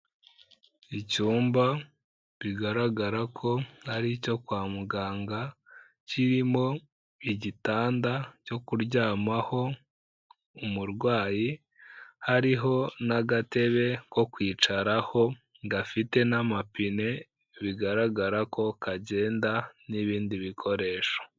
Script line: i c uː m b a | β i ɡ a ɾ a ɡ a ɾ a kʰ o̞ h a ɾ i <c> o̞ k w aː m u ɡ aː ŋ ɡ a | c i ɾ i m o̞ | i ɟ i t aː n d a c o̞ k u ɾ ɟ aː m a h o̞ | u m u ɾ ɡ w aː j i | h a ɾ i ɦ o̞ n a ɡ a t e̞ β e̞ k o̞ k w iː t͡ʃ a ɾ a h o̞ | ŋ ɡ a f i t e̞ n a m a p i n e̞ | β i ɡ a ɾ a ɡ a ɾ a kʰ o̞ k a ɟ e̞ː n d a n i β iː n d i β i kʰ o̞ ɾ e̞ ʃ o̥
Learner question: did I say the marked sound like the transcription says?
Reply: yes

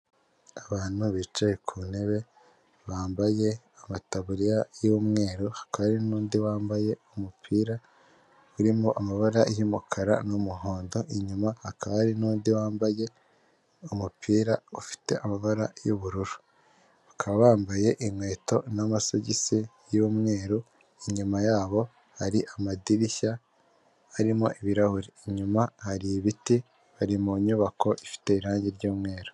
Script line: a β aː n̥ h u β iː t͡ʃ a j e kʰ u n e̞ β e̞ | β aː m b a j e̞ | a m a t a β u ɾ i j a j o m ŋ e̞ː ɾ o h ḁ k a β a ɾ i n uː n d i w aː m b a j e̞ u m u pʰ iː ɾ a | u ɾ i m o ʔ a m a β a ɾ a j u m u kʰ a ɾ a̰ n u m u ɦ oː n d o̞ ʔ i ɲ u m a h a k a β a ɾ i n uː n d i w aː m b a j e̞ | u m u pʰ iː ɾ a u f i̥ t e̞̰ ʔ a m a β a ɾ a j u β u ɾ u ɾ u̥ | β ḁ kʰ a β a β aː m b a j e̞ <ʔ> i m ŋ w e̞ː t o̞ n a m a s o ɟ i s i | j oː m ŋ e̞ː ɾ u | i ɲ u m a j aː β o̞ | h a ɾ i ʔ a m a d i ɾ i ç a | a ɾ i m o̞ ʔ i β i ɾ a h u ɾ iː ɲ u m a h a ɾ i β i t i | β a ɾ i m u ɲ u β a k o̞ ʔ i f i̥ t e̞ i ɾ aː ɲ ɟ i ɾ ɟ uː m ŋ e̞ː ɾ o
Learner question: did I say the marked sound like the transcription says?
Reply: yes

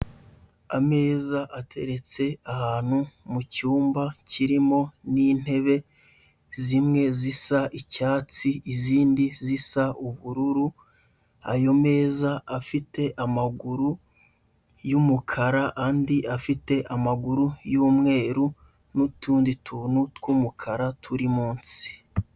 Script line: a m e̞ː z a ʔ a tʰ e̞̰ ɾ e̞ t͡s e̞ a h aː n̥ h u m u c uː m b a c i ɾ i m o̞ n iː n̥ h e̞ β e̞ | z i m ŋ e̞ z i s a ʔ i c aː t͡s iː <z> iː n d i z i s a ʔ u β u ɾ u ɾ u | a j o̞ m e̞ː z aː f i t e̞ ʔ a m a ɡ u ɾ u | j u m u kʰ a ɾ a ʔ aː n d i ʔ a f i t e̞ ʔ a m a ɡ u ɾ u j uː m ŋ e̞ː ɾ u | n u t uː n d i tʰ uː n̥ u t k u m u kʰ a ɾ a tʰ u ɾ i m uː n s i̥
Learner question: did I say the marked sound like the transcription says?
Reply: yes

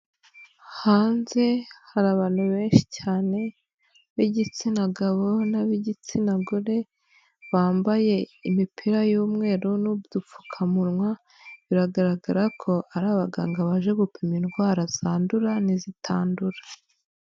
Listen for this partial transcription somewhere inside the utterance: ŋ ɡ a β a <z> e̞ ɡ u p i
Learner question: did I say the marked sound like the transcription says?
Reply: no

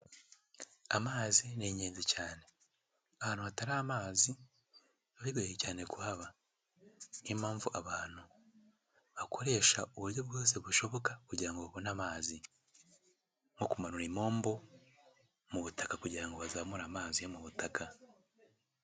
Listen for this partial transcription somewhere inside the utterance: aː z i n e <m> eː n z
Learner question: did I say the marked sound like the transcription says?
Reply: no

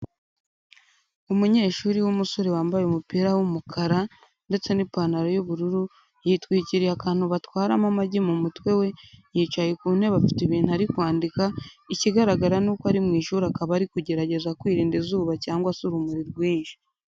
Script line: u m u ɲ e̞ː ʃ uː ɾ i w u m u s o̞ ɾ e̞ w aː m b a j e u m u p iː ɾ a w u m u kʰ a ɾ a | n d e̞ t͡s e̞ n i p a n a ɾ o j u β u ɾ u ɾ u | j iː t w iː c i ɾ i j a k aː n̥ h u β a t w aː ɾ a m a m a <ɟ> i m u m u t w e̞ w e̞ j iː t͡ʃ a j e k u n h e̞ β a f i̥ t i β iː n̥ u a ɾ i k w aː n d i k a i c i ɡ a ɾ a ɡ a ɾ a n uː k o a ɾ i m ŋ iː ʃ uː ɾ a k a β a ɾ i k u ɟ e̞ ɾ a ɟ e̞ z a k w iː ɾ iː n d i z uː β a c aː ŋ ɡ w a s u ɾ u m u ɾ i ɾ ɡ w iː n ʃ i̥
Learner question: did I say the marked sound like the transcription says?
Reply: yes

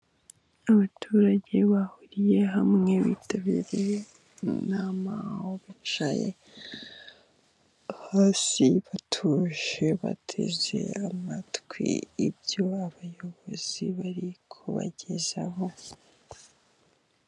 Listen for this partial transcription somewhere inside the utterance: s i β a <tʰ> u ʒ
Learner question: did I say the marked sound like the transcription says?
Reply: yes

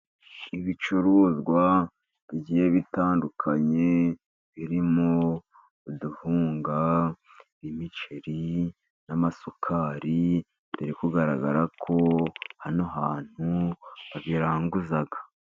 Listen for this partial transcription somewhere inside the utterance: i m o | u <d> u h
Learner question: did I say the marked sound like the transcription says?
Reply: yes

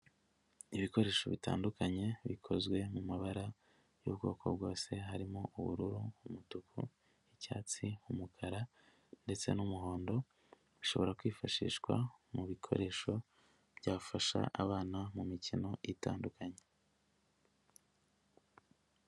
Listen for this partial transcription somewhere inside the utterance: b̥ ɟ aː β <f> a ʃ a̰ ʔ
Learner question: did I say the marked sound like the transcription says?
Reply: yes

